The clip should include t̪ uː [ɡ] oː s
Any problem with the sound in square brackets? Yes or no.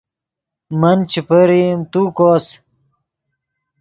yes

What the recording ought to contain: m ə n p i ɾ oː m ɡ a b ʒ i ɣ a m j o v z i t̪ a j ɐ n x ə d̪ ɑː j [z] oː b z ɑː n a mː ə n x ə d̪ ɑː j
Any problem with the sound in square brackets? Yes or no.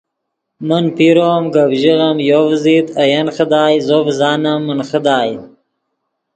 no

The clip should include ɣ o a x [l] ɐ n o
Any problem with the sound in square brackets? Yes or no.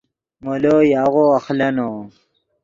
no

